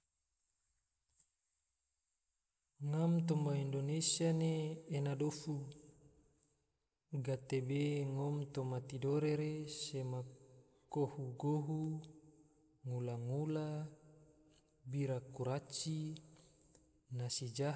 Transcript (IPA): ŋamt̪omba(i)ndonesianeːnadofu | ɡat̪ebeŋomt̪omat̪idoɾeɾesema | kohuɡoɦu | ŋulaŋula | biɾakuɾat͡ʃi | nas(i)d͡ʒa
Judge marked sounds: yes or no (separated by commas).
yes, yes